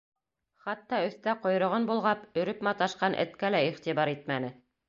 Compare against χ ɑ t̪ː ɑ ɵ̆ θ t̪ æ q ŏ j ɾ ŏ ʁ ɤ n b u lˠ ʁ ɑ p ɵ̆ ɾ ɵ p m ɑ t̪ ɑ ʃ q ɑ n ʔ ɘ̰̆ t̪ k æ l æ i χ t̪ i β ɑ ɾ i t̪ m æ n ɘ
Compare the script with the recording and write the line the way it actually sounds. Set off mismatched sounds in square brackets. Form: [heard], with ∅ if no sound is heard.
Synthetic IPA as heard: χ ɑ t̪ː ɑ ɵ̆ θ t̪ æ q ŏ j ɾ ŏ ʁ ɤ n b u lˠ ʁ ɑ p ɵ̆ ɾ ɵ p m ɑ t̪ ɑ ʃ q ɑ n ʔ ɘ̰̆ t̪ k æ l æ i χ t̪ i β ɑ ɾ i t̪ m æ n ɘ